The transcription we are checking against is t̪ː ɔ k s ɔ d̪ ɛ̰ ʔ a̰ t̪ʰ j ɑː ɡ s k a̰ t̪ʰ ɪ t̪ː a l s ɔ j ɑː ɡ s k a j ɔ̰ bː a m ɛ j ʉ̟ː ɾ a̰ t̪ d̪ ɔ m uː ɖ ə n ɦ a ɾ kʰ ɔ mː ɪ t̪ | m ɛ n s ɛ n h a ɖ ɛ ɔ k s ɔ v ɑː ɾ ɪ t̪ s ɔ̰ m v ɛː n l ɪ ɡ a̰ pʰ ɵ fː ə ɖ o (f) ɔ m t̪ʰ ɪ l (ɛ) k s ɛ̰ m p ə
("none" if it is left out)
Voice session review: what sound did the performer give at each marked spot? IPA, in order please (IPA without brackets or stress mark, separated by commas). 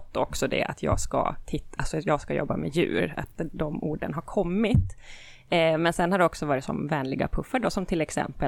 s, ɛ